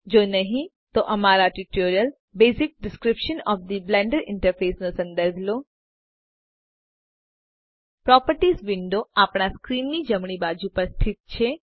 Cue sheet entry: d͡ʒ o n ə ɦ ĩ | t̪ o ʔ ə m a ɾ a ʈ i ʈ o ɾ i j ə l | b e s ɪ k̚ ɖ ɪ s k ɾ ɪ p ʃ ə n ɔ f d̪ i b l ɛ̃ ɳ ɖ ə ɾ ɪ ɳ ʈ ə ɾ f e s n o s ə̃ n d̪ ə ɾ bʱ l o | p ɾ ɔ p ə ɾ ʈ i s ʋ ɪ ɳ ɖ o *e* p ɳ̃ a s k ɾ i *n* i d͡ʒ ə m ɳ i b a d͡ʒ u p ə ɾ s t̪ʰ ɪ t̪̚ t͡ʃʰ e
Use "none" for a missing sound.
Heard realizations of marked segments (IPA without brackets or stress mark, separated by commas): a, nː